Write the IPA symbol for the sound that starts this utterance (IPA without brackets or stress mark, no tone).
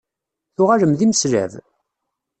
θ